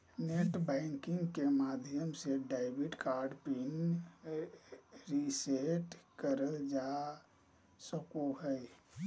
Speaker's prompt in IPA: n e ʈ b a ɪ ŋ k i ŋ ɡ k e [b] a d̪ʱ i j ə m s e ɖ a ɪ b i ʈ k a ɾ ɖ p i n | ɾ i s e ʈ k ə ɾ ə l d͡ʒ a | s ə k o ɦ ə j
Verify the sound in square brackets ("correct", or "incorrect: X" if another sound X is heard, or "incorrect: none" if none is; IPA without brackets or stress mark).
incorrect: m